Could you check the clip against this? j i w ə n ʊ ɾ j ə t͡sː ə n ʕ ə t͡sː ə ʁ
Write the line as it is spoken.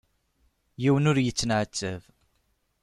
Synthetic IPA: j i w ə n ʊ ɾ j ə t͡sː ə n ʕ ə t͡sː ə v

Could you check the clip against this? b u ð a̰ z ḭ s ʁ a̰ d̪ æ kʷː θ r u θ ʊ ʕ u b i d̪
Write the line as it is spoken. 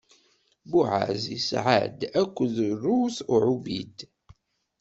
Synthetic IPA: b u ʕ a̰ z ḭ s ʕ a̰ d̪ æ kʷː ð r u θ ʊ ʕ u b i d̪

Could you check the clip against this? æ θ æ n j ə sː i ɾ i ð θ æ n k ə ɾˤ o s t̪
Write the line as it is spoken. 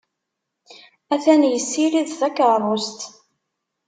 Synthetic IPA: æ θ æ n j ə sː i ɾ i ð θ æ k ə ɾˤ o s t̪

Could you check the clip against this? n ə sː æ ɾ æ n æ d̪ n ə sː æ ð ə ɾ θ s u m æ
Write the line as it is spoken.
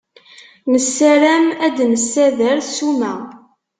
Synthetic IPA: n ə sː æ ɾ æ m æ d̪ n ə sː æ ð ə ɾ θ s u m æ

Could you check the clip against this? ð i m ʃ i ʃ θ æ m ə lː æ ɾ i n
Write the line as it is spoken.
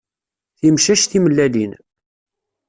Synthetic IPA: θ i m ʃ æ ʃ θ i m ə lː æ l i n

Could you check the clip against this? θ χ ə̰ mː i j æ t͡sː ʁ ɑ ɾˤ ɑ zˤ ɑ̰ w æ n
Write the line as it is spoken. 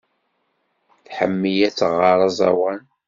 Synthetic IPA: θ ħ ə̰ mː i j æ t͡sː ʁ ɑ ɾˤ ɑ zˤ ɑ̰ w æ n

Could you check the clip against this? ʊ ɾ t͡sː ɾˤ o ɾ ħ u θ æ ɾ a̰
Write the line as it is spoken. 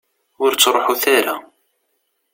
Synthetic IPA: ʊ ɾ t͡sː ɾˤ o ħ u θ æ ɾ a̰

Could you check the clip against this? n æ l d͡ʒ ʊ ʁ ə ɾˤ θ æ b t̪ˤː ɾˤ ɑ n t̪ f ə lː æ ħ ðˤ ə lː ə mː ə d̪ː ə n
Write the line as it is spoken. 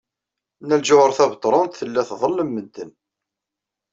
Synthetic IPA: n æ l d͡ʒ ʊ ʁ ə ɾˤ θ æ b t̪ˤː ɾˤ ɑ n t̪ θ ə lː æ θ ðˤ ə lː ə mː ə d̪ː ə n

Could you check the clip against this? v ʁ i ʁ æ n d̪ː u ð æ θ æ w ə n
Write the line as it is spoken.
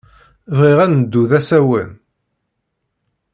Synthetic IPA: v ʁ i ʁ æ n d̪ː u ð æ s æ w ə n

